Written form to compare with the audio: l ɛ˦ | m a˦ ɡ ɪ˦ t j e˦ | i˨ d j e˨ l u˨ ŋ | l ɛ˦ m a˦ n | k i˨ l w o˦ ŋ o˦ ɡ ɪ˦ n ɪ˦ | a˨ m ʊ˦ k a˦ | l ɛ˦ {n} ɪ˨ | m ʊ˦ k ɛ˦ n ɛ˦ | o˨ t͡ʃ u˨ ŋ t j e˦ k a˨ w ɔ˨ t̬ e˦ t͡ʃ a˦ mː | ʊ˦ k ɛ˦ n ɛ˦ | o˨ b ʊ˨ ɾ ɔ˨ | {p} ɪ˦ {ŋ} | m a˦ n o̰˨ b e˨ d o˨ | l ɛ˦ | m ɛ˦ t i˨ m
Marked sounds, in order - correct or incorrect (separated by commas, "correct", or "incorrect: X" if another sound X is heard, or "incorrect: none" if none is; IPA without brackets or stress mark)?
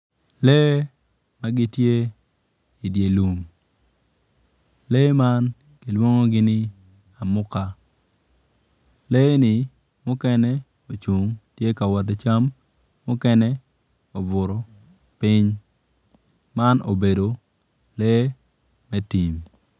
correct, correct, incorrect: ɲ